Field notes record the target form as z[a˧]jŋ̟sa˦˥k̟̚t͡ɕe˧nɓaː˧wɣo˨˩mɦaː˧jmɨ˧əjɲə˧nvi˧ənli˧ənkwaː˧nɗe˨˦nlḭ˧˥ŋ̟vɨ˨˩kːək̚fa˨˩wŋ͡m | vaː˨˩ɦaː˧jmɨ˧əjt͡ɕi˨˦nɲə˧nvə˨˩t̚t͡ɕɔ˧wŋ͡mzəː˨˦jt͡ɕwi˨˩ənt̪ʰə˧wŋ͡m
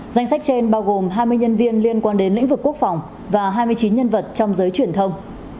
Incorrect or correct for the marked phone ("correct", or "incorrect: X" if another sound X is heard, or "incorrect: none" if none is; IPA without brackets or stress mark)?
correct